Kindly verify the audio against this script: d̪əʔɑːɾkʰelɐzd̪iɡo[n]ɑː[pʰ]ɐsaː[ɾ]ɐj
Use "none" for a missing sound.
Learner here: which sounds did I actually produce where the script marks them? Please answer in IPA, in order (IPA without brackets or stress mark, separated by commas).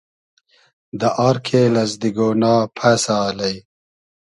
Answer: n, pʰ, l